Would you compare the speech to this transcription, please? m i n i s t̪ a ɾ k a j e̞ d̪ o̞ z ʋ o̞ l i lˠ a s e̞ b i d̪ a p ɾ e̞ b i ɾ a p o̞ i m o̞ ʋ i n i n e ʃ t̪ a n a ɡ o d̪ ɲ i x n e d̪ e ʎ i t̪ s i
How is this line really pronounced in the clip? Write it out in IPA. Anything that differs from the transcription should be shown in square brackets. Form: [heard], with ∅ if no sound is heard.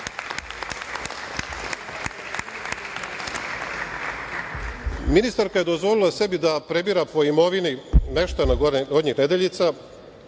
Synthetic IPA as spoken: m i n i s t̪ a ɾ k a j e̞ d̪ o̞ z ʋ o̞ l i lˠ a s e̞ b i d̪ a p ɾ e̞ b i ɾ a p o̞ i m o̞ ʋ i n i n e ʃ t̪ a n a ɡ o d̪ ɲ i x n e d̪ e ʎ i t̪ s [a]

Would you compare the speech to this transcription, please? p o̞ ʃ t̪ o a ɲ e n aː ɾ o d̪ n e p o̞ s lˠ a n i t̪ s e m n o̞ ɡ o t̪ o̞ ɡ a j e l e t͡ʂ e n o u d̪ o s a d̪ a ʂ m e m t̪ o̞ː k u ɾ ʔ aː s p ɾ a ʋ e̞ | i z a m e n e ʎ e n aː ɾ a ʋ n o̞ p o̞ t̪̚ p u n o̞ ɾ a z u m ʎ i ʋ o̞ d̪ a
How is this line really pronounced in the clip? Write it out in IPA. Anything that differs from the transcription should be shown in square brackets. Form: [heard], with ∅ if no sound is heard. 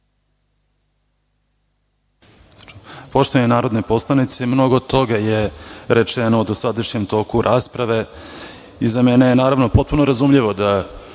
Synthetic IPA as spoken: p o̞ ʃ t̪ o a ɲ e n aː ɾ o d̪ n e p o̞ s lˠ a n i t̪ s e m n o̞ ɡ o t̪ o̞ ɡ a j e [ɾ] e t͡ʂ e n o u d̪ o s a d̪ a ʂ [ɲ] e m t̪ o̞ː k u ɾ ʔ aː s p ɾ a ʋ e̞ | i z a m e n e [j] e n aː ɾ a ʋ n o̞ p o̞ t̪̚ p u n o̞ ɾ a z u m ʎ i ʋ o̞ d̪ a

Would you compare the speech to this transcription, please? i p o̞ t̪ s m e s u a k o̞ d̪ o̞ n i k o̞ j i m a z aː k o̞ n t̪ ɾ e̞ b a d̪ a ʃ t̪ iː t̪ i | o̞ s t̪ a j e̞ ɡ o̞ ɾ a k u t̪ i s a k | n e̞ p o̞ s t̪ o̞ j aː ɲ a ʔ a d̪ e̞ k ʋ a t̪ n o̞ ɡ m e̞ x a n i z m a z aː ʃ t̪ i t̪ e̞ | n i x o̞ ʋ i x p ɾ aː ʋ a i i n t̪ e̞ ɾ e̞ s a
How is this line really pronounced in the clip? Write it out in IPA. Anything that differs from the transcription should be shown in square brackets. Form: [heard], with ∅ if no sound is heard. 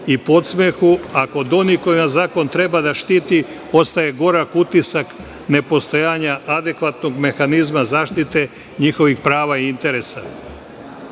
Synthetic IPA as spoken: i p o̞ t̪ s m e [x] u a k o̞ d̪ o̞ n i k o̞ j i m a z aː k o̞ n t̪ ɾ e̞ b a d̪ a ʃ t̪ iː t̪ i | o̞ s t̪ a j e̞ ɡ o̞ ɾ a k u t̪ i s a k | n e̞ p o̞ s t̪ o̞ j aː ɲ a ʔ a d̪ e̞ k ʋ a t̪ n o̞ ɡ m e̞ x a n i z m a z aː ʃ t̪ i t̪ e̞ | [ɲ] i x o̞ ʋ i x p ɾ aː ʋ a i i n t̪ e̞ ɾ e̞ s a

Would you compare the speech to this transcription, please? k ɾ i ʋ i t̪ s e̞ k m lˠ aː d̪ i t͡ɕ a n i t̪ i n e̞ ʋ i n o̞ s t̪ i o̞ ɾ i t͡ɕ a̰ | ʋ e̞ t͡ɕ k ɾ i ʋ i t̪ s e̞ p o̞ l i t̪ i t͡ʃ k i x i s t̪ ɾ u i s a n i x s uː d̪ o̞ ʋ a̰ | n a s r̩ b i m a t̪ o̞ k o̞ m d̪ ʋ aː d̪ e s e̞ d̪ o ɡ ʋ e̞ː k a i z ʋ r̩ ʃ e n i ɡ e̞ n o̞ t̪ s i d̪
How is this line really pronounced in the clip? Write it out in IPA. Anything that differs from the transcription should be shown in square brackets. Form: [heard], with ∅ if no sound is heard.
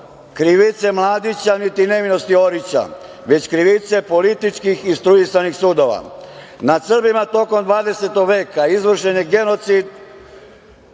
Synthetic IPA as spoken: k ɾ i ʋ i t̪ s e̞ [∅] m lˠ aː d̪ i t͡ɕ a n i t̪ i n e̞ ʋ i n o̞ s t̪ i o̞ ɾ i t͡ɕ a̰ | ʋ e̞ t͡ɕ k ɾ i ʋ i t̪ s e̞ p o̞ l i t̪ i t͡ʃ k i x i s t̪ ɾ u i s a n i x s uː d̪ o̞ ʋ a̰ | n a s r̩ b i m a t̪ o̞ k o̞ m d̪ ʋ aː d̪ e s e̞ [t̪] o ɡ ʋ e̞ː k a i z ʋ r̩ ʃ e n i ɡ e̞ n o̞ t̪ s i d̪

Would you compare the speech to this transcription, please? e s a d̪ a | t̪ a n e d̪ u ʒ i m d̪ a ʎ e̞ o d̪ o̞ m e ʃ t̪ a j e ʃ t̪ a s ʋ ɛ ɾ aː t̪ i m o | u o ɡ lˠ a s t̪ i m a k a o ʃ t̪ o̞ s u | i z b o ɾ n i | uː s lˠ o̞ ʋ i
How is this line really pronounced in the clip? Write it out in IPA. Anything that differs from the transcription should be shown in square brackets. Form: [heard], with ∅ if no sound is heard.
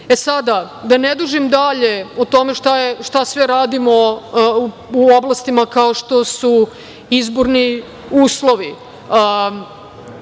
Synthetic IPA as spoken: e s a d̪ a | [d̪] a n e d̪ u ʒ i m d̪ a ʎ e̞ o [t̪] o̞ m e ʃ t̪ a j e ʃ t̪ a s ʋ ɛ ɾ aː [d̪] i m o | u o [b] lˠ a s t̪ i m a k a o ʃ t̪ o̞ s u | i z b o ɾ n i | uː s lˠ o̞ ʋ i

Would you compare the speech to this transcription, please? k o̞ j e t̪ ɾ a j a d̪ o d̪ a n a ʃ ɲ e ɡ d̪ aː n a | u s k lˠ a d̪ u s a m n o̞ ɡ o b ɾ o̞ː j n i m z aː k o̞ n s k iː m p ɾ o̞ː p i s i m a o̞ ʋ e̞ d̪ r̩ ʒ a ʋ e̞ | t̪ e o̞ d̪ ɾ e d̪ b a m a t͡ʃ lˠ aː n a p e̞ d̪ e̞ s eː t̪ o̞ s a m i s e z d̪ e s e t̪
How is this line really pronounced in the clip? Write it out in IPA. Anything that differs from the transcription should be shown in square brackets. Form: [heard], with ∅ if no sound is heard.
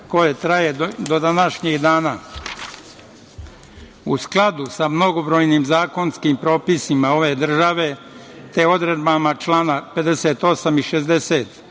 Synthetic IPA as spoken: k o̞ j e t̪ ɾ a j [e] d̪ o d̪ a n a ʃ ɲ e ɡ d̪ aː n a | u s k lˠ a d̪ u s a m n o̞ ɡ o b ɾ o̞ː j n i m z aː k o̞ n s k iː m p ɾ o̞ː p i s i m a o̞ ʋ e̞ d̪ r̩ ʒ a ʋ e̞ | t̪ e o̞ d̪ ɾ e d̪ b a m a t͡ʃ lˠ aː n a p e̞ d̪ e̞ s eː t̪ o̞ s a m i [ʃ] e z d̪ e s e t̪

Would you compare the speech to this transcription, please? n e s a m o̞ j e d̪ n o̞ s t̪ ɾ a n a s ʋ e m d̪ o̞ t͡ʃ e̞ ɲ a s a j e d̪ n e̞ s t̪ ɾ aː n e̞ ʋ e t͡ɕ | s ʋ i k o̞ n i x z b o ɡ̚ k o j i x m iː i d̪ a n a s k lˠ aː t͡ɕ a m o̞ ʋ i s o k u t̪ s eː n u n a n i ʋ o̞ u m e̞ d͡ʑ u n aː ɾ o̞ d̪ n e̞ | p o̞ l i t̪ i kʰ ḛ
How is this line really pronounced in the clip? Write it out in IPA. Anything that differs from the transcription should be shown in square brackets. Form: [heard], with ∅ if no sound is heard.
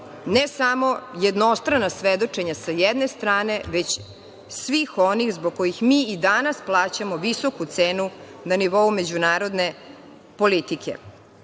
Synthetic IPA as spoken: n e s a m o̞ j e d̪ n o̞ s t̪ ɾ a n a s ʋ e [∅] d̪ o̞ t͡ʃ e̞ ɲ a s a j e d̪ n e̞ s t̪ ɾ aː n e̞ ʋ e t͡ɕ | s ʋ i [x] o̞ n i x z b o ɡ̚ k o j i x m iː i d̪ a n a s [p] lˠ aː t͡ɕ a m o̞ ʋ i s o k u t̪ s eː n u n a n i ʋ o̞ u m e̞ d͡ʑ u n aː ɾ o̞ d̪ n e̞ | p o̞ l i t̪ i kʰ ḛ

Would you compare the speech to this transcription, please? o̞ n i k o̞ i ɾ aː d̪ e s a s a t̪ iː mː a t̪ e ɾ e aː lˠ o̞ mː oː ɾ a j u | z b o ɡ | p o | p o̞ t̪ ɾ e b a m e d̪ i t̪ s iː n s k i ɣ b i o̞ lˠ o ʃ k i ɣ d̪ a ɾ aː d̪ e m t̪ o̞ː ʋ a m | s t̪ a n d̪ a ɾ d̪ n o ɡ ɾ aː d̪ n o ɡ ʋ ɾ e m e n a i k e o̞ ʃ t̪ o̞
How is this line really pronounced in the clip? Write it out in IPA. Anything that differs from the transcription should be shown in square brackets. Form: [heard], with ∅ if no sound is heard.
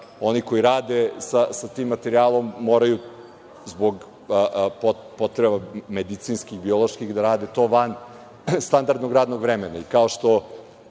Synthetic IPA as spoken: o̞ n i k o̞ i ɾ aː d̪ e s a s a t̪ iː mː a t̪ e ɾ [i] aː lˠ o̞ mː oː ɾ a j u | z b o ɡ | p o | p o̞ t̪ ɾ e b a m e d̪ i t̪ s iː n s k i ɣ b i o̞ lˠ o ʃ k i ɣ d̪ a ɾ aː d̪ e [∅] t̪ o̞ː ʋ a [n] | s t̪ a n d̪ a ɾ d̪ n o ɡ ɾ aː d̪ n o ɡ ʋ ɾ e m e n a i k [a] o̞ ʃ t̪ o̞

